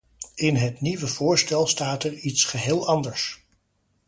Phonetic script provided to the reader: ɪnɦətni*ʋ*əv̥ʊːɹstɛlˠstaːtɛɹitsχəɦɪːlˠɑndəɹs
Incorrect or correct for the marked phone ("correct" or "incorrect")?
correct